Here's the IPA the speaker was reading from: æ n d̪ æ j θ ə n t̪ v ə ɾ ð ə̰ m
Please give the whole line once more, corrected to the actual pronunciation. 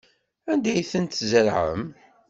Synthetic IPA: æ n d̪ æ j θ ə n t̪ z ə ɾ ʕ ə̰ m